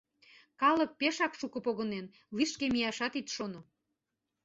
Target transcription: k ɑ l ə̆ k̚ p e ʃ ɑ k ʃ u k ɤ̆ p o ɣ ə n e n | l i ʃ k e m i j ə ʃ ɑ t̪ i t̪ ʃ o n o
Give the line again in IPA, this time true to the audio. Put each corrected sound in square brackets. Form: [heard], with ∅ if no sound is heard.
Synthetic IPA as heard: k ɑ l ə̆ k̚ p e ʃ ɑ k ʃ u k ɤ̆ p o ɣ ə n e n | l i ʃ k e m i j [ɑ] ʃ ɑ t̪ i t̪ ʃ o n o

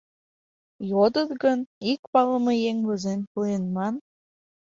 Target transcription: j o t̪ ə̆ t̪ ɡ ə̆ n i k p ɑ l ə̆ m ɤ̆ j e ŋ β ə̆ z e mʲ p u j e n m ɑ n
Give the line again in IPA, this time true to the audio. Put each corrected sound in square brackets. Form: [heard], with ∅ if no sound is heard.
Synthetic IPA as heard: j o [d̪] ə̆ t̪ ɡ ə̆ n i k p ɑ l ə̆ m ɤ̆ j e ŋ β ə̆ z e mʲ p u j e n m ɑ n

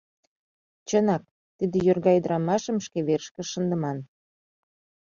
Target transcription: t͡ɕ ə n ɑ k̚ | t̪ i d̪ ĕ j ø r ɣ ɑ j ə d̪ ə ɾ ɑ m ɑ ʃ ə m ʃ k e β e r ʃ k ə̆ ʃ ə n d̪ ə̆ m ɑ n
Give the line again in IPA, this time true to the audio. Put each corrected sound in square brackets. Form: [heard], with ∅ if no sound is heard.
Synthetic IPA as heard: t͡ɕ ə n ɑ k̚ | t̪ i d̪ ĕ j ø r ɣ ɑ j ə d̪ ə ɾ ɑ m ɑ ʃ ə m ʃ k e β e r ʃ k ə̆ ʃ ə n d̪ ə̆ m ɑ n

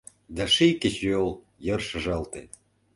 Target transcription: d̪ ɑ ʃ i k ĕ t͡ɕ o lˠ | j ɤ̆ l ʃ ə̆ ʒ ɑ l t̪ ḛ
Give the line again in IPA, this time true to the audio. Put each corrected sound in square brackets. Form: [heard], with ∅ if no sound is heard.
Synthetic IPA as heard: d̪ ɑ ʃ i k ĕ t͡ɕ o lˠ | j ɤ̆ [r] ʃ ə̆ ʒ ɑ l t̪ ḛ

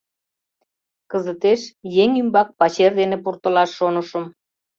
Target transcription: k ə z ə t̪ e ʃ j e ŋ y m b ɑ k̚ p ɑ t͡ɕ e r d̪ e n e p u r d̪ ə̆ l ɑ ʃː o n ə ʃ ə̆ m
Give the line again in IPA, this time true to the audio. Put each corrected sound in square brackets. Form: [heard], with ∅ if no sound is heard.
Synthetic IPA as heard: k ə z ə t̪ e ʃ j e ŋ y m b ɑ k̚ p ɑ t͡ɕ e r d̪ e n e p u r [t̪] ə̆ l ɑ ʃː o n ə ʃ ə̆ m

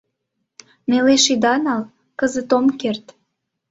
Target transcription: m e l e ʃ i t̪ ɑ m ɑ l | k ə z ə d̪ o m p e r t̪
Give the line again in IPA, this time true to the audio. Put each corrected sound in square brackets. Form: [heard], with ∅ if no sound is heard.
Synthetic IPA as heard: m e l e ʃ i [d̪] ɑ [n] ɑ l | k ə z ə [t̪] o m [k] e r t̪

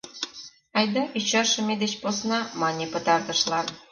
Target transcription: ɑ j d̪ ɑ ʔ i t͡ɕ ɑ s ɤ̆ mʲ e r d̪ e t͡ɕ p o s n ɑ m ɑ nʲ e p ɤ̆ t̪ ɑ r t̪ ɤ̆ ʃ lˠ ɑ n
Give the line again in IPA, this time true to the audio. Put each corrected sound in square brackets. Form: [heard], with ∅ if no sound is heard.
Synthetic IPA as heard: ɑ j d̪ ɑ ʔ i t͡ɕ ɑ [ʃ] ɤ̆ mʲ e [∅] d̪ e t͡ɕ p o s n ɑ m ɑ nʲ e p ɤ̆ t̪ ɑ r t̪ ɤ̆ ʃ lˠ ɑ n

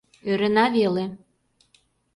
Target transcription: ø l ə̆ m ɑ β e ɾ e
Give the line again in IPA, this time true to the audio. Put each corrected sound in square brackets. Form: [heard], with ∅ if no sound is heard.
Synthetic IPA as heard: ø [ɾ] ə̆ [n] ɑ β e [l] e

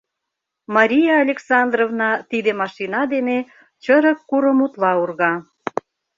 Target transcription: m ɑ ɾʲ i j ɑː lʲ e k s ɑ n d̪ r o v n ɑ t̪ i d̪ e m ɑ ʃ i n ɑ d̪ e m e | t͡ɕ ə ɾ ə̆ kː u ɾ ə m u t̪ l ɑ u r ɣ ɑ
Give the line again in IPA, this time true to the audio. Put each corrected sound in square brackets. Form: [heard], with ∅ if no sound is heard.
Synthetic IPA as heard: m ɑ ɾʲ i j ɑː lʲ e k s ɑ n d̪ r o v n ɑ t̪ i d̪ e m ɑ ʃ i n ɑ d̪ e [n] e | t͡ɕ ə ɾ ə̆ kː u ɾ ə m u t̪ l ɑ u r ɣ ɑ

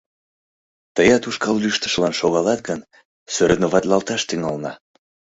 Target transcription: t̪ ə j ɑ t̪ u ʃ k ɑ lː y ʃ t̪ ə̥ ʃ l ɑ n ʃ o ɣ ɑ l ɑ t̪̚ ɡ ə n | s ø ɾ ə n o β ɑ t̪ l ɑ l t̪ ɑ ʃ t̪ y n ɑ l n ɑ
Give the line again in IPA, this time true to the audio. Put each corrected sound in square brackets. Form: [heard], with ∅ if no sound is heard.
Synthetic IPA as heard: t̪ ə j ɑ t̪ u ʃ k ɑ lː y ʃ t̪ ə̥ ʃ l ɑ n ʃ o ɣ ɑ l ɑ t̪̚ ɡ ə n | s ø ɾ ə n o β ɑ t̪ l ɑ l t̪ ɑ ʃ t̪ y [ŋ] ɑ l n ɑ

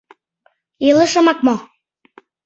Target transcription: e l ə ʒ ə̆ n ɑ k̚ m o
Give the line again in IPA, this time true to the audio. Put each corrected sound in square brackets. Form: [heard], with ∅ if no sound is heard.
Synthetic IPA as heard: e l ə [ʃ] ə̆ [m] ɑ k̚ m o

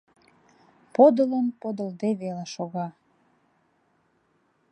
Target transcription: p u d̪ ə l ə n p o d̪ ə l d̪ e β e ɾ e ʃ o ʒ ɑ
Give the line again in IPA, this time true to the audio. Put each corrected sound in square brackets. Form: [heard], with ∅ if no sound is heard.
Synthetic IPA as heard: p [o] d̪ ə l ə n p o d̪ ə l d̪ e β e [l] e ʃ o [ɣ] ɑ

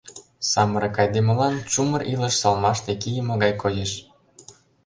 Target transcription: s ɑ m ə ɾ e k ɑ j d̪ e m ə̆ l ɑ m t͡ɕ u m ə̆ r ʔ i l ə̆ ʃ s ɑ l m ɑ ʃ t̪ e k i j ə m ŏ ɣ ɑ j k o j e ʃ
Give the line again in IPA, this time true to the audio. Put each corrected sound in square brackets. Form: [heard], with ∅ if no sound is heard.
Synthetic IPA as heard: s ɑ m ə ɾ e k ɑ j d̪ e m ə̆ l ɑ [n] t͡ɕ u m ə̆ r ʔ i l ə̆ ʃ s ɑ l m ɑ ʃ t̪ e k i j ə m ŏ ɣ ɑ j k o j e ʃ

